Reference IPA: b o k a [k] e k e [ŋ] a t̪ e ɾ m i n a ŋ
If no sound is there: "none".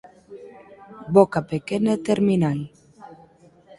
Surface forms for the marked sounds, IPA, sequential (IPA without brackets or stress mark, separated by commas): p, n